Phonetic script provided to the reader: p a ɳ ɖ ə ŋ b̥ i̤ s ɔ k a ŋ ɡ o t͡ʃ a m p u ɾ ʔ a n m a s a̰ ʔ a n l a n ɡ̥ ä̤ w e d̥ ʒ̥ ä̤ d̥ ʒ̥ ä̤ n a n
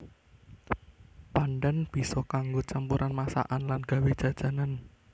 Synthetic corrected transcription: p a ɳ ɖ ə n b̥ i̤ s ɔ k a ŋ ɡ o t͡ʃ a m p u ɾ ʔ a n m a s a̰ ʔ a n l a n ɡ̥ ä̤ w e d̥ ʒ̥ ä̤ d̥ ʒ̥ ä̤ n a n